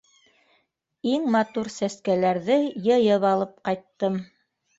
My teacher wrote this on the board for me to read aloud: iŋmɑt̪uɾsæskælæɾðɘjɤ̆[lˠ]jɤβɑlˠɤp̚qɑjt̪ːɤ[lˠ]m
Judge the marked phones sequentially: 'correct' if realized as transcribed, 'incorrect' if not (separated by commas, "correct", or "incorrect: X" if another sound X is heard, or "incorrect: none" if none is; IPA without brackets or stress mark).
incorrect: none, incorrect: none